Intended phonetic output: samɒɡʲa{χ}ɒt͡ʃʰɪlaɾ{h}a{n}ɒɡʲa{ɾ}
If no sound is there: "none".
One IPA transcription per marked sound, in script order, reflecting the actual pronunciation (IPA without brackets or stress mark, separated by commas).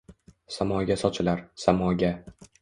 s, s, m, none